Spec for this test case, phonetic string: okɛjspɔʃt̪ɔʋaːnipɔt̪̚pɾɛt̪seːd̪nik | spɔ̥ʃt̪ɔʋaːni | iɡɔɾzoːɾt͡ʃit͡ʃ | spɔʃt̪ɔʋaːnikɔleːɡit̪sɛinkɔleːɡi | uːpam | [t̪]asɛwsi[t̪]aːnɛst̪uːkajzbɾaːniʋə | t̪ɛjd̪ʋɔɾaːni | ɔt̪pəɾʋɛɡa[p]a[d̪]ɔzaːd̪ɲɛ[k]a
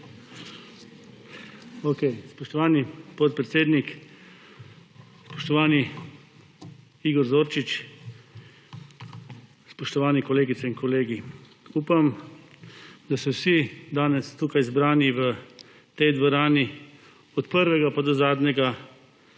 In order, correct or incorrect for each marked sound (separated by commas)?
incorrect, incorrect, correct, correct, incorrect